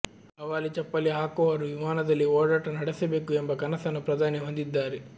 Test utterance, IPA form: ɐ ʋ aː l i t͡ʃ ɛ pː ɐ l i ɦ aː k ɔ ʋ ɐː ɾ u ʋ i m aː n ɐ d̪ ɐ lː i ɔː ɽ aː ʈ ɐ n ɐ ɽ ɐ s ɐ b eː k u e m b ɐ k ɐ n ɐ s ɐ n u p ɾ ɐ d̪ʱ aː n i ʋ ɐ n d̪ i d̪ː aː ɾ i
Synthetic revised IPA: ɐ ʋ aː l i t͡ʃ ɛ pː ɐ l i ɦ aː k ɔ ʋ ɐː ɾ u ʋ i m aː n ɐ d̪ ɐ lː i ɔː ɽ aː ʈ ɐ n ɐ ɽ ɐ s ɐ b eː k u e m b ɐ k ɐ n ɐ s ɐ n u p ɾ ɐ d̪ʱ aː n i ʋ ɐ n d̪ i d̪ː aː ɾ i